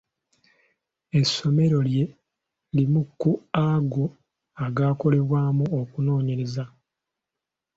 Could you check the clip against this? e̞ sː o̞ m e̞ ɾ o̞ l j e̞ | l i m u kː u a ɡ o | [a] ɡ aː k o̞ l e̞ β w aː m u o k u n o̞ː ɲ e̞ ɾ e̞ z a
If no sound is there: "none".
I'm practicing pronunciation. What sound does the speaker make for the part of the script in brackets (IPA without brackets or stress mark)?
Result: a